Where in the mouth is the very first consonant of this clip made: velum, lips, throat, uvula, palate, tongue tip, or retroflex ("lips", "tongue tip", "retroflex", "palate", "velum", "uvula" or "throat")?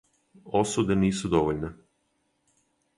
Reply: tongue tip